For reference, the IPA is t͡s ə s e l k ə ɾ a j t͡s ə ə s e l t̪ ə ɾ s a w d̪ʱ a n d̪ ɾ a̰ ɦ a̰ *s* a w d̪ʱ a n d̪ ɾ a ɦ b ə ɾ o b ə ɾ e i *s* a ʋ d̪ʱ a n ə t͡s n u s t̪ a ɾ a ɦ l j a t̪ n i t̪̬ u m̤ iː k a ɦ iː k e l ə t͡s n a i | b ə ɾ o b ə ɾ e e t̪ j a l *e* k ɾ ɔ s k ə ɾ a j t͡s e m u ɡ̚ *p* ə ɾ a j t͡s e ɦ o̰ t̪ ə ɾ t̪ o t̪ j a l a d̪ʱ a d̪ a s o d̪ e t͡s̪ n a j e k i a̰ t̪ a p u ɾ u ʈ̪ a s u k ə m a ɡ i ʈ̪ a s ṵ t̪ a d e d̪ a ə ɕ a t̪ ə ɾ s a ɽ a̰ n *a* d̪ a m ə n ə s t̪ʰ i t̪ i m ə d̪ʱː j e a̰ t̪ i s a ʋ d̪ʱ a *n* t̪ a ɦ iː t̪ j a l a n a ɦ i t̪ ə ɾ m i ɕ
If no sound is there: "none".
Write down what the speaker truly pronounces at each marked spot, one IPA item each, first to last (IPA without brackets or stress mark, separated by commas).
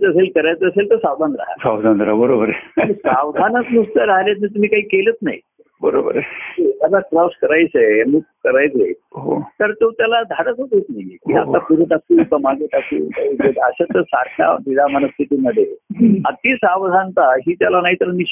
s, s, a, k, i, n